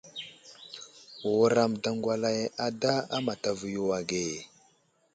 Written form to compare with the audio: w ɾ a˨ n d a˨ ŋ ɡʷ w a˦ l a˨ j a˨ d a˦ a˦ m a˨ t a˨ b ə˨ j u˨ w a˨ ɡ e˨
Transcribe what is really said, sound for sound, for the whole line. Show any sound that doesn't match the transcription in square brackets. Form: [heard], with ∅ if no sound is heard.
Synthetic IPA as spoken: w ɾ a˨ [m] d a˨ ŋ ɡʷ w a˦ l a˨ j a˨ d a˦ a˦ m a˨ t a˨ [v] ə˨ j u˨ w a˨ ɡ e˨